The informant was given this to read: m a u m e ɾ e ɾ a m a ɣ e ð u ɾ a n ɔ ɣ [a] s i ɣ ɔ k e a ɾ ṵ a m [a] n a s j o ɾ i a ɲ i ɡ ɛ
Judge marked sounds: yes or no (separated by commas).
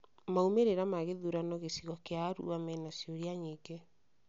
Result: no, no